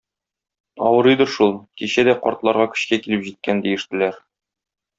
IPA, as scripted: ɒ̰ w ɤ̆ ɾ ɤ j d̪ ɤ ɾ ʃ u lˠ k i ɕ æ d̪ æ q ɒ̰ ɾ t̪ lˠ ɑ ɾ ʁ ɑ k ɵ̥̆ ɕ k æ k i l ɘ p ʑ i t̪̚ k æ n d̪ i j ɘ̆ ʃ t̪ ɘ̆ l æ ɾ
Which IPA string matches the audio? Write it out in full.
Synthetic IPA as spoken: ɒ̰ w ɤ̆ ɾ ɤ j d̪ ɤ ɾ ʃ u lˠ k i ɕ æ d̪ æ q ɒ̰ ɾ t̪ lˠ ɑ ɾ ʁ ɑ k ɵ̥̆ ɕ k æ k i l ɘ p ʑ i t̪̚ k æ n d̪ i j ɘ̆ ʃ t̪ ɘ̆ l æ ɾ